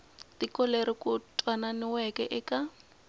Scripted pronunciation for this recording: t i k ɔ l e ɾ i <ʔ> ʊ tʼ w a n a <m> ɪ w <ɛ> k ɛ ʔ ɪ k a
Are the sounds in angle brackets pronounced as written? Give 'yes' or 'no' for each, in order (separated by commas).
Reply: no, no, yes